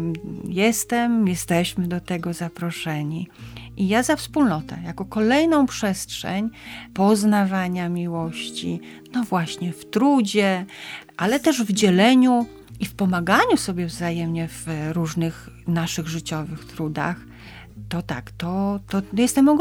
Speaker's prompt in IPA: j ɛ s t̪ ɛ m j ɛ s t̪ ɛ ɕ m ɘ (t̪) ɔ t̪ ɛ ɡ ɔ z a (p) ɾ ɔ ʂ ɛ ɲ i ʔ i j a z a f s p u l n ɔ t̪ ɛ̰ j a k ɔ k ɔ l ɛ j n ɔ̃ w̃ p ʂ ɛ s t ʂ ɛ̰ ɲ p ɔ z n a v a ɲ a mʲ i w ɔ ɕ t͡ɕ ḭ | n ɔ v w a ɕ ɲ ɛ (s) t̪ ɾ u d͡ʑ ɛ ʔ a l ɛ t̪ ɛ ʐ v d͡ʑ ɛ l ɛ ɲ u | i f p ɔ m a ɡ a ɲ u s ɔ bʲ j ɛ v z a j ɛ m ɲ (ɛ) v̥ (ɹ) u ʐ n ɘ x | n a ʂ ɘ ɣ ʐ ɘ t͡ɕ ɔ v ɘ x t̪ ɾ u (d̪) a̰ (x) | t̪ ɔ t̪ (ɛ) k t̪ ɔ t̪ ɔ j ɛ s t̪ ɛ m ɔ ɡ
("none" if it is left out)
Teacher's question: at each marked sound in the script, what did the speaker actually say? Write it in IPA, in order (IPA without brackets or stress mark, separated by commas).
d̪, p, f, ɛ, ɾ, d̪, x, a